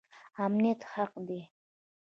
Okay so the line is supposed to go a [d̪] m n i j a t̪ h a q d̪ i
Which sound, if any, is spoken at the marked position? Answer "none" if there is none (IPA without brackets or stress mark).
none